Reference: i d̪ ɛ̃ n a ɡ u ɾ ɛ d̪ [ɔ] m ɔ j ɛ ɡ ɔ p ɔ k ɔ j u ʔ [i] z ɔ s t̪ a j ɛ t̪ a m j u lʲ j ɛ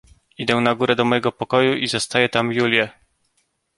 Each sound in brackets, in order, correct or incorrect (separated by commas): correct, correct